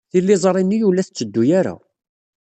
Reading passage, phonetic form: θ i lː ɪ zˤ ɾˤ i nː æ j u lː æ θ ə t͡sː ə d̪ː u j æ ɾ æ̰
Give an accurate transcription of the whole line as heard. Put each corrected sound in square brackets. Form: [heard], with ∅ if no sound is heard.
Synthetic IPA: θ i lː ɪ zˤ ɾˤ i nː [i] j u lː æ θ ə t͡sː ə d̪ː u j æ ɾ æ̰